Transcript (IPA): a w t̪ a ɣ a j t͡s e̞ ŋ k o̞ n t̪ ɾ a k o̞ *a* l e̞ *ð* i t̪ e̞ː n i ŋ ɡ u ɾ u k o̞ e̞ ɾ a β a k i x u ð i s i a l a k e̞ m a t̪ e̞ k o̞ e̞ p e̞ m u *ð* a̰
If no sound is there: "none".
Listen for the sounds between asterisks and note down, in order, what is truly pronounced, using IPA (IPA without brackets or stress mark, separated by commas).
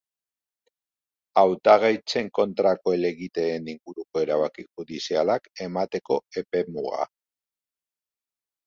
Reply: e, ɣ, ɣ